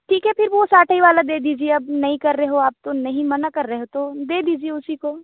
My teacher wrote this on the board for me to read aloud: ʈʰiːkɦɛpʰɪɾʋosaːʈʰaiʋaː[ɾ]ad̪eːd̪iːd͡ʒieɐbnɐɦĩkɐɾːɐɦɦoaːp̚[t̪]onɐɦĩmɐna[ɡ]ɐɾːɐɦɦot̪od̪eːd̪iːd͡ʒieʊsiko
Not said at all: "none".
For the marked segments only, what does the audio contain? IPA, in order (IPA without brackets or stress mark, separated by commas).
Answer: l, t̪, k